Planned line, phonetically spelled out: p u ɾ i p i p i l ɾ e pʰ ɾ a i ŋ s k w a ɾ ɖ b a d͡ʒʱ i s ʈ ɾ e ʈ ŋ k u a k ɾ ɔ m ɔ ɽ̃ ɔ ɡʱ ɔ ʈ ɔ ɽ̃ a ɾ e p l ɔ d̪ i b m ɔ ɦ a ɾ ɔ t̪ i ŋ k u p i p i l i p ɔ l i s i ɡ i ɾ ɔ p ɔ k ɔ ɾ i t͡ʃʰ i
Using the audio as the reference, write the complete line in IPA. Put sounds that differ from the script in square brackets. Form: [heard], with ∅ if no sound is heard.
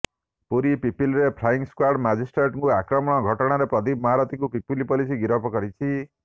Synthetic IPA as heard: p u ɾ i p i p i l ɾ e pʰ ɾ a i ŋ s k w a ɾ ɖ [m] a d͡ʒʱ i s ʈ ɾ e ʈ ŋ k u a k ɾ ɔ m ɔ ɽ̃ ɔ ɡʱ ɔ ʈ ɔ ɽ̃ a ɾ e p [ɾ] ɔ d̪ i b m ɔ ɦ a ɾ ɔ t̪ i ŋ k u p i p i l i p ɔ l i s i ɡ i ɾ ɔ p ɔ k ɔ ɾ i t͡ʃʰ i